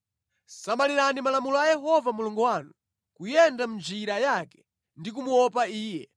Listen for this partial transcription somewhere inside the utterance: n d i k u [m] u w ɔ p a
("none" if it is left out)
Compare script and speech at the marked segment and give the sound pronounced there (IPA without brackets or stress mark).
m